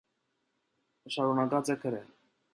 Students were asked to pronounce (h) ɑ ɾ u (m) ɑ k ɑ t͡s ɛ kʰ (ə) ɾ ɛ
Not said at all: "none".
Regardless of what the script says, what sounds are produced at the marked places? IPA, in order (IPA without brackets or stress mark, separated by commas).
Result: ʃ, n, ə